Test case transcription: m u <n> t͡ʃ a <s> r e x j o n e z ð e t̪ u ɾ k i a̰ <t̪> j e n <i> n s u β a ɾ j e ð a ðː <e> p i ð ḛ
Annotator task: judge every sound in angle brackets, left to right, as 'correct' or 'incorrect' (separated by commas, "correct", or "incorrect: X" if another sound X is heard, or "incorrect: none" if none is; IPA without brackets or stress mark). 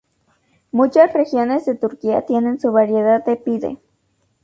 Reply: incorrect: none, correct, correct, incorrect: e, correct